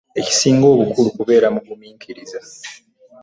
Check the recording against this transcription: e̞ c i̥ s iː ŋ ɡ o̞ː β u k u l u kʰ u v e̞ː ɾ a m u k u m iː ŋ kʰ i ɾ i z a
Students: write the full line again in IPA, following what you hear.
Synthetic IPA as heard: e̞ c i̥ s iː ŋ ɡ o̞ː β u k u l u k u β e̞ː ɾ a m u ɡ u m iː ŋ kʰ i ɾ i z a